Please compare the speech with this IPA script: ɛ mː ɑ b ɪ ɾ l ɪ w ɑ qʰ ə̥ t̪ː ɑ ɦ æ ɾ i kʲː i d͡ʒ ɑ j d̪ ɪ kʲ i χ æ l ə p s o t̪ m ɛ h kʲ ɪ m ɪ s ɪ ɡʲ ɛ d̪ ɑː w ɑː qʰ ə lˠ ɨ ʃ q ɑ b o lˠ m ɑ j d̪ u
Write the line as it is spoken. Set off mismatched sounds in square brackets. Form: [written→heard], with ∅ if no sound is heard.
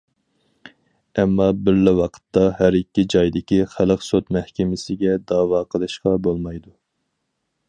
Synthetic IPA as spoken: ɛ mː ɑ b ɪ ɾ l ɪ w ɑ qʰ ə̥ t̪ː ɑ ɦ æ ɾ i kʲː i d͡ʒ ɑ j d̪ ɪ kʲ i χ æ l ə [p→q] s o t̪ m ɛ h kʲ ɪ m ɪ s ɪ ɡʲ ɛ d̪ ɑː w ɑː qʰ ə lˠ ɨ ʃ q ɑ b o lˠ m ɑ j d̪ u